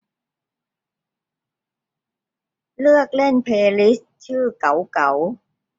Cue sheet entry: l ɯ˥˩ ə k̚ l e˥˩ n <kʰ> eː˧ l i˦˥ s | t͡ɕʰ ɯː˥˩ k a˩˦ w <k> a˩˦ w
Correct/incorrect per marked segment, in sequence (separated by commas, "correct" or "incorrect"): incorrect, correct